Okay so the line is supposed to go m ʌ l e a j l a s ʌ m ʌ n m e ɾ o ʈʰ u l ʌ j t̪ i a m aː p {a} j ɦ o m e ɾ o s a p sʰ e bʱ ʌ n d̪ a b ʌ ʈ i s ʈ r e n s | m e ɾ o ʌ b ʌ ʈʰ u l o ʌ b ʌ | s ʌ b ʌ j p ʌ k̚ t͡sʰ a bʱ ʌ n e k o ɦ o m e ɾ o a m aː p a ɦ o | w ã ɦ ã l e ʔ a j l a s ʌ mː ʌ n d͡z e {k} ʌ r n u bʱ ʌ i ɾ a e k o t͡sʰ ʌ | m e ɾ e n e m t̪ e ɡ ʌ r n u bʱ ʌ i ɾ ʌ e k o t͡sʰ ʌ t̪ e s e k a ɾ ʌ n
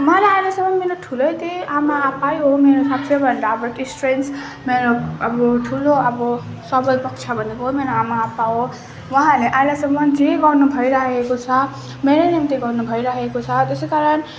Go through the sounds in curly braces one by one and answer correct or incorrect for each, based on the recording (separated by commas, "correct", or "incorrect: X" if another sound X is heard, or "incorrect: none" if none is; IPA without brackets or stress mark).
correct, incorrect: ɡ